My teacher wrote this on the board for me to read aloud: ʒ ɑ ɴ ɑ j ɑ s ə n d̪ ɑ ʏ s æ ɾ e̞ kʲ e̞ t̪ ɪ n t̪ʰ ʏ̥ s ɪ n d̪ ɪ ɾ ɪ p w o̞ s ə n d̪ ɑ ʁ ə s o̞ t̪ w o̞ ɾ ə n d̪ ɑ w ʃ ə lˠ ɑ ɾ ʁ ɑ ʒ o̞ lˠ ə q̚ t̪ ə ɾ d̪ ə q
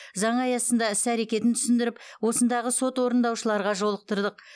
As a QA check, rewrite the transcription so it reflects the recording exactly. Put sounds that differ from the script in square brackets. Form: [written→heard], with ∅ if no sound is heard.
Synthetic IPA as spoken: [ʒ→z] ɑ ɴ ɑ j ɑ s ə n d̪ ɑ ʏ s æ ɾ e̞ kʲ e̞ t̪ ɪ n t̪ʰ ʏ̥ s ɪ n d̪ ɪ ɾ ɪ p w o̞ s ə n d̪ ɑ ʁ ə s o̞ t̪ w o̞ ɾ ə n d̪ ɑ w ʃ ə lˠ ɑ ɾ ʁ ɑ ʒ o̞ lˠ ə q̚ t̪ ə ɾ d̪ ə q

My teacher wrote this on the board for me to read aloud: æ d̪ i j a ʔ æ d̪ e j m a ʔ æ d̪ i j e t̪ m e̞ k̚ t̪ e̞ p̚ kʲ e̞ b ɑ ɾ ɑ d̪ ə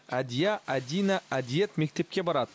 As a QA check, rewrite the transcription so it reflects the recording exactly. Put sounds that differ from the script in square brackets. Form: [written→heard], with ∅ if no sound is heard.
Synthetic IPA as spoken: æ d̪ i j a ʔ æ d̪ [e→i] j [m→n] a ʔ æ d̪ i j e t̪ m e̞ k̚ t̪ e̞ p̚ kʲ e̞ b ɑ ɾ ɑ d̪ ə

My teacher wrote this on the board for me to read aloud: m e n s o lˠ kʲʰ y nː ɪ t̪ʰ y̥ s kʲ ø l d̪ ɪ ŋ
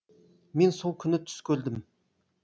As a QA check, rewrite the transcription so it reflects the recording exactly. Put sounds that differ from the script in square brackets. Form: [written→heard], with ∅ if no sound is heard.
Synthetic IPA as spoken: m e n s o lˠ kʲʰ y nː ɪ t̪ʰ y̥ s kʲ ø l d̪ ɪ [ŋ→m]

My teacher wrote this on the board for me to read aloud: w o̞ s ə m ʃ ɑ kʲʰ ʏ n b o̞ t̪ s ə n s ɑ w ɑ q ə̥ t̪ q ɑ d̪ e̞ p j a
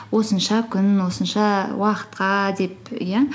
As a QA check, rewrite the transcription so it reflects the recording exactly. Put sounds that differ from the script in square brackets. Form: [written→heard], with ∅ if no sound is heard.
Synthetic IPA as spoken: w o̞ s ə [m→n] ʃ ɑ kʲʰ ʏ n [b→w] o̞ [t̪→∅] s ə n [s→ʃ] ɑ w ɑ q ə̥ t̪ q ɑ d̪ e̞ p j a

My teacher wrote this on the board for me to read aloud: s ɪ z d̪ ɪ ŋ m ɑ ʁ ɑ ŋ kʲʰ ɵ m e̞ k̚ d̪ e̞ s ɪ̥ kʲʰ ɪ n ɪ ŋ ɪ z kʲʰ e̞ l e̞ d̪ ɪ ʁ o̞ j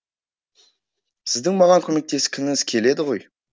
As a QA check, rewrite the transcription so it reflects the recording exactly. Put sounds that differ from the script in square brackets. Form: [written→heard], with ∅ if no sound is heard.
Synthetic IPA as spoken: s ɪ z d̪ ɪ ŋ m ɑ ʁ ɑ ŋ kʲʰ ɵ m e̞ k̚ [d̪→t̪] e̞ s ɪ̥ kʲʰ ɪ n ɪ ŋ ɪ z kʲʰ e̞ l e̞ d̪ ɪ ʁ o̞ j

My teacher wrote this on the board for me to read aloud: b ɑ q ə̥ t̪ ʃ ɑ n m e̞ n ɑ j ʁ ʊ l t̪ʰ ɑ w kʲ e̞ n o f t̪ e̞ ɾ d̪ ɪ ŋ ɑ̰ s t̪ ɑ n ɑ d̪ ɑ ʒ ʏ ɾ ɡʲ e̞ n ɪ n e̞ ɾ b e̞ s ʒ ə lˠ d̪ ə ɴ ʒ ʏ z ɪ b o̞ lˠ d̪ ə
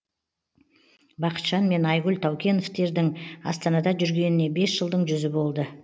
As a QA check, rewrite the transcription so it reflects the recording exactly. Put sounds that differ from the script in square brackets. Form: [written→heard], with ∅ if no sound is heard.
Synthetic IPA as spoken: b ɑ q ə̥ t̪ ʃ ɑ n m e̞ n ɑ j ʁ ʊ l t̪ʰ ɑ w kʲ e̞ n o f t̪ e̞ ɾ d̪ ɪ ŋ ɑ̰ s t̪ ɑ n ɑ d̪ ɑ ʒ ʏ ɾ ɡʲ e̞ n ɪ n e̞ [ɾ→∅] b e̞ s ʒ ə lˠ d̪ ə ɴ ʒ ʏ z ɪ b o̞ lˠ d̪ ə

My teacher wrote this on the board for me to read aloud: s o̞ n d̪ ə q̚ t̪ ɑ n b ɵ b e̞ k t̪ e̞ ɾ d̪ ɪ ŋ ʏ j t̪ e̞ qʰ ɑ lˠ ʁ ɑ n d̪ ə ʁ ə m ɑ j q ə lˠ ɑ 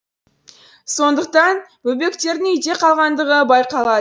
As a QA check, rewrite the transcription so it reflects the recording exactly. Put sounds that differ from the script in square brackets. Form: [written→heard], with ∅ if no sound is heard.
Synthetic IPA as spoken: s o̞ n d̪ ə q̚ t̪ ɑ n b ɵ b e̞ k t̪ e̞ ɾ d̪ ɪ ŋ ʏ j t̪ e̞ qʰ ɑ lˠ ʁ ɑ n d̪ ə ʁ ə [m→b] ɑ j q [ə→ɑ] lˠ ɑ

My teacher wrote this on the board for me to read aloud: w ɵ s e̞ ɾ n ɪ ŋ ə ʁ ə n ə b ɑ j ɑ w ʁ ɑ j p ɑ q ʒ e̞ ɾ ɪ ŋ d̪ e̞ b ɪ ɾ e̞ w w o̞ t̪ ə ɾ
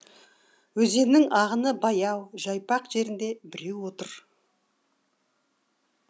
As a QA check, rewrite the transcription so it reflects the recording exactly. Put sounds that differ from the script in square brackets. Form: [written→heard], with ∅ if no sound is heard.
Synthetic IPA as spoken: w ɵ [s→z] e̞ ɾ n ɪ ŋ [ə→ɑ] ʁ ə n ə b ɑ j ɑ w [ʁ→ʒ] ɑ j p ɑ q ʒ e̞ ɾ ɪ [ŋ→n] d̪ e̞ b ɪ ɾ e̞ w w o̞ t̪ ə ɾ

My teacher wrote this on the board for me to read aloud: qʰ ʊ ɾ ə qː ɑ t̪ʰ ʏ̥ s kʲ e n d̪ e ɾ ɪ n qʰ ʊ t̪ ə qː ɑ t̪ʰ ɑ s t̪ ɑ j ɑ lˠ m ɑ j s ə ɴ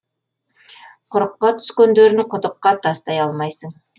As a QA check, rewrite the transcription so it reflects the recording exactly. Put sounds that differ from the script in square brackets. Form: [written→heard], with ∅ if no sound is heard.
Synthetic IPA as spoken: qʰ ʊ ɾ ə qː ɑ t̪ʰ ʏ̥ s kʲ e n d̪ e ɾ ɪ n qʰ ʊ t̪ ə qː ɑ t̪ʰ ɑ s t̪ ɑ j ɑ lˠ m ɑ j s ə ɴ

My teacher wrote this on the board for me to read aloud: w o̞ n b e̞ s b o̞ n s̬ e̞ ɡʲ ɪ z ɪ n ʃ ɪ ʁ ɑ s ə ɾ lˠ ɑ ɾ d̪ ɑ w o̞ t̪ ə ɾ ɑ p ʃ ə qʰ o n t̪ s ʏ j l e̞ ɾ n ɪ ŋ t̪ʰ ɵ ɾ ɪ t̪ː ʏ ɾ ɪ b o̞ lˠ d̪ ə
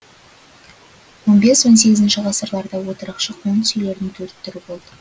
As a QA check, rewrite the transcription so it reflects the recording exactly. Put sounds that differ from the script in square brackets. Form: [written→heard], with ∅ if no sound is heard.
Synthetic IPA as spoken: w o̞ n b e̞ s [b→w] o̞ n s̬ e̞ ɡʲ ɪ z ɪ n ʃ ɪ ʁ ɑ s ə ɾ lˠ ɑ ɾ d̪ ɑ w o̞ t̪ ə ɾ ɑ [p→q] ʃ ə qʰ o n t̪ s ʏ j l e̞ ɾ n ɪ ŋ t̪ʰ ɵ ɾ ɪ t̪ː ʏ ɾ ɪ b o̞ lˠ d̪ ə

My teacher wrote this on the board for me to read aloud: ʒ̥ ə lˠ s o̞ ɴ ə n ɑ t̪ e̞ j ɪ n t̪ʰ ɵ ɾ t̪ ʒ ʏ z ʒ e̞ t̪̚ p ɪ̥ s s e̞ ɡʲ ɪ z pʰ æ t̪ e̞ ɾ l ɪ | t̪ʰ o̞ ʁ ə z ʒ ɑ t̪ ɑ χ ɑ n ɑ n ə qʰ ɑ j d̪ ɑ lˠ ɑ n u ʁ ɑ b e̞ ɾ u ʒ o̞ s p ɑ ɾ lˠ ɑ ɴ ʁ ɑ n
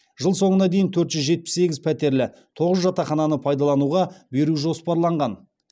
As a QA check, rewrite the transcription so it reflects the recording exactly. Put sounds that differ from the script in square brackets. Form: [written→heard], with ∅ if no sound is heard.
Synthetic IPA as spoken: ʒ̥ ə lˠ s o̞ ɴ ə n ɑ [t̪→d̪] e̞ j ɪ n t̪ʰ ɵ ɾ t̪ ʒ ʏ z ʒ e̞ t̪̚ p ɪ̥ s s e̞ ɡʲ ɪ z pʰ æ t̪ e̞ ɾ l ɪ | t̪ʰ o̞ ʁ ə z ʒ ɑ t̪ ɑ χ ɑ n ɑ n ə [qʰ→pʰ] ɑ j d̪ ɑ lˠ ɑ n u ʁ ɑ b e̞ ɾ u ʒ o̞ s p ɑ ɾ lˠ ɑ ɴ ʁ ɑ n

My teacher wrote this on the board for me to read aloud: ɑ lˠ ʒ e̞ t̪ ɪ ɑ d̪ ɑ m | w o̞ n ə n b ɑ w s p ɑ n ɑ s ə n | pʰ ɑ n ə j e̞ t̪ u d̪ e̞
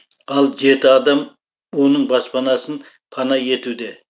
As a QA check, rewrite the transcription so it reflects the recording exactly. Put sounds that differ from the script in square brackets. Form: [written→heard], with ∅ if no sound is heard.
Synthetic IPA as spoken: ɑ lˠ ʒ e̞ t̪ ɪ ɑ d̪ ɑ m | w o̞ n ə [n→ɴ] b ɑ [w→∅] s p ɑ n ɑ s ə n | pʰ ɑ n [ə→ɑ] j e̞ t̪ u d̪ e̞

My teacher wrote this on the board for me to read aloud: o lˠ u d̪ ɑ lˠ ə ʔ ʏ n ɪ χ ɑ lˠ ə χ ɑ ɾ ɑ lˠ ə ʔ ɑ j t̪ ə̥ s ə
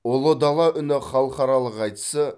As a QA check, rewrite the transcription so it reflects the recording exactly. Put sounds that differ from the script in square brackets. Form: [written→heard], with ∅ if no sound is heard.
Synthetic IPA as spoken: o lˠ [u→o] d̪ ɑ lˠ [ə→ɑ] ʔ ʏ n ɪ χ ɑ lˠ ə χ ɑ ɾ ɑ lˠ ə [ʔ→q] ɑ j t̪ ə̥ s ə

